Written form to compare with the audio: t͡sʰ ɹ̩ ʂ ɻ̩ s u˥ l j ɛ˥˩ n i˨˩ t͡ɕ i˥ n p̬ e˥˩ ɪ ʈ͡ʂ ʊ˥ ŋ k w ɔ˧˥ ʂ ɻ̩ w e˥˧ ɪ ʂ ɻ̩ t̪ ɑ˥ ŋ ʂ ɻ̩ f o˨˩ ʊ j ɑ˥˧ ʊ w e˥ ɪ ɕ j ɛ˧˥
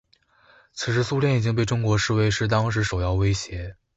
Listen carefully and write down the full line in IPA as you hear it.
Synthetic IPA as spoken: t͡sʰ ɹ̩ ʂ ɻ̩ s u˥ l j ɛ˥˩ n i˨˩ t͡ɕ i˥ ŋ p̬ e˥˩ ɪ ʈ͡ʂ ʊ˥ ŋ k w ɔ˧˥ ʂ ɻ̩ w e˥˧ ɪ ʂ ɻ̩ t̪ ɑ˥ ŋ ʂ ɻ̩ ʂ o˨˩ ʊ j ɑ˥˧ ʊ w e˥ ɪ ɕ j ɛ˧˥